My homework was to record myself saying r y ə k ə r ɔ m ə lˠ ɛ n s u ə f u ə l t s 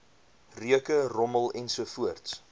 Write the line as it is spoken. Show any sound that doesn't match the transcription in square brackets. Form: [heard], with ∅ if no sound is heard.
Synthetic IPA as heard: r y ə k ə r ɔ m ə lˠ ɛ n s u ə f u ə [r] t s